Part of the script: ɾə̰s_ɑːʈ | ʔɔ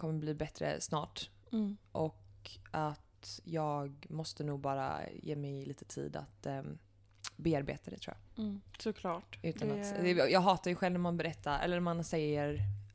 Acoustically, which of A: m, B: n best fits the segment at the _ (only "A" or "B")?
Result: B